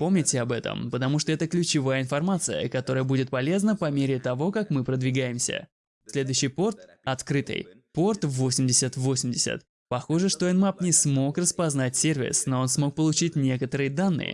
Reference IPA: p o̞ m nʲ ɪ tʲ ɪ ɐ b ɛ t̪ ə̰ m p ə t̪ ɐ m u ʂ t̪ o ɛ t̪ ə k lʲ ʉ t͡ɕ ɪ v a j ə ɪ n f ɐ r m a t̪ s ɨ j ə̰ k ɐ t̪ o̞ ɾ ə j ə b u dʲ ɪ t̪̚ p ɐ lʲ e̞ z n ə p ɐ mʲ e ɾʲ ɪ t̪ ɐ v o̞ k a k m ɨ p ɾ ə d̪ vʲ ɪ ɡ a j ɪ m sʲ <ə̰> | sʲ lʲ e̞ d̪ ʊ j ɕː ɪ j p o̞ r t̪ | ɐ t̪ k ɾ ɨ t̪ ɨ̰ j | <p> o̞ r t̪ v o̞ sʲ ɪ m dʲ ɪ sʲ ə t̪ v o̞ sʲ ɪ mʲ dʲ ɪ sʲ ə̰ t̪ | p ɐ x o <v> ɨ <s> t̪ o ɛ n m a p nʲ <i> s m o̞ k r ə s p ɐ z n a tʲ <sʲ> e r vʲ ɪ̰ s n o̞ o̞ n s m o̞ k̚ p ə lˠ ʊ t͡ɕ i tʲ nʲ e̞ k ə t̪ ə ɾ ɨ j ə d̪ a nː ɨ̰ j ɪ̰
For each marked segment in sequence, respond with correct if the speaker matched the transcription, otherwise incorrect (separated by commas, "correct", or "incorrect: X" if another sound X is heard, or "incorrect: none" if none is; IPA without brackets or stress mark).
correct, correct, incorrect: ʐ, incorrect: ʂ, incorrect: ɪ, correct